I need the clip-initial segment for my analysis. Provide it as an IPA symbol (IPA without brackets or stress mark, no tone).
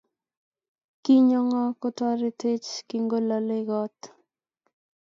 k